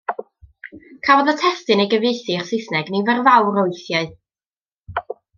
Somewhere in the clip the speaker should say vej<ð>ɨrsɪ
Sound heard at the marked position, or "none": θ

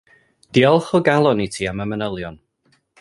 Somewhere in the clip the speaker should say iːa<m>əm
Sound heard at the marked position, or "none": m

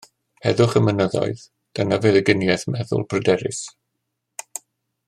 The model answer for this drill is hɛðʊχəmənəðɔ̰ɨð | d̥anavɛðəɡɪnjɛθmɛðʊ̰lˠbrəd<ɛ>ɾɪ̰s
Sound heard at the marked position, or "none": ɛ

